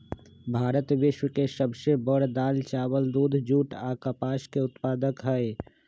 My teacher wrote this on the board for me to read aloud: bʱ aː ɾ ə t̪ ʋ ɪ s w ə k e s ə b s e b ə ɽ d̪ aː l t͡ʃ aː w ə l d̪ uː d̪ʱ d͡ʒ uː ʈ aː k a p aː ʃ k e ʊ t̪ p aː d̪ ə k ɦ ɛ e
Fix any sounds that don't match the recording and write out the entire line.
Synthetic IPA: bʱ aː ɾ ə t̪ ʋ ɪ ʃ w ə k e s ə b s e b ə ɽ d̪ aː l t͡ʃ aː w ə l d̪ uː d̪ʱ d͡ʒ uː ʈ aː k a p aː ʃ k e ʊ t̪ p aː d̪ ə k ɦ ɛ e